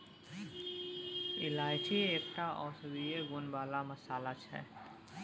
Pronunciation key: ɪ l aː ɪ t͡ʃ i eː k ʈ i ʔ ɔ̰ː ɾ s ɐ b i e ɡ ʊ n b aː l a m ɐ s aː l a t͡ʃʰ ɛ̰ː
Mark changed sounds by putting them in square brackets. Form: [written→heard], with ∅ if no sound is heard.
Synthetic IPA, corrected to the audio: ɪ l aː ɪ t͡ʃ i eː k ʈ [i→a] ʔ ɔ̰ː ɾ s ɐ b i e ɡ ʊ n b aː l a m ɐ s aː l a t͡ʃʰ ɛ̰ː